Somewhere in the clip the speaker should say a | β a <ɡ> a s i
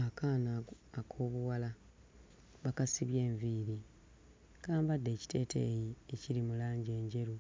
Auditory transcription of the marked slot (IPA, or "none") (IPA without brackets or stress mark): k